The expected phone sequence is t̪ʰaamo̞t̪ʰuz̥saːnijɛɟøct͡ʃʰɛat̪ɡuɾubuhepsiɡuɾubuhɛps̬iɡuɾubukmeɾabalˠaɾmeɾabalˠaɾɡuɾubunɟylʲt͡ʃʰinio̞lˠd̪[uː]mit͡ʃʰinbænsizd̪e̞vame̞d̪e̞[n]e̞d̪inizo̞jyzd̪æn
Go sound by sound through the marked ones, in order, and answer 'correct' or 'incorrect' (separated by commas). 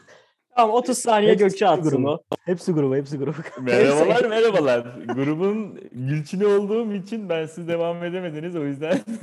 correct, incorrect